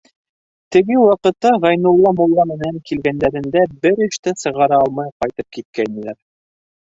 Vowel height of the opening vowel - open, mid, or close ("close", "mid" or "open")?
mid